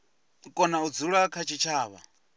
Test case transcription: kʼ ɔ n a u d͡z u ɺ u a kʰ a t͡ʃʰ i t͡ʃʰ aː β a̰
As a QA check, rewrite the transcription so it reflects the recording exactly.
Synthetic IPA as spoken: kʼ ɔ n a u d͡z u ɺ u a kʰ a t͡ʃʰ i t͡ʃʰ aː β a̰